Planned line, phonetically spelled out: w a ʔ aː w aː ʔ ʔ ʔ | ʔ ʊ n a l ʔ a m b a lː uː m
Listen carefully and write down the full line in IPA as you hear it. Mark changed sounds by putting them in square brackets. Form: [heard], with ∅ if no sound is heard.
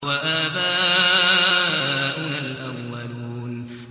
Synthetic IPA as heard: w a ʔ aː [b] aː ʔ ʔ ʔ | ʔ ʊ n a l ʔ a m [w] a [l] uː [n]